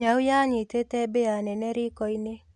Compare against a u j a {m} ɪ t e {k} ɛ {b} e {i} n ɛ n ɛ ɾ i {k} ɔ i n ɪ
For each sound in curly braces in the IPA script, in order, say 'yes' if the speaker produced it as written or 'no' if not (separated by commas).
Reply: no, no, yes, no, yes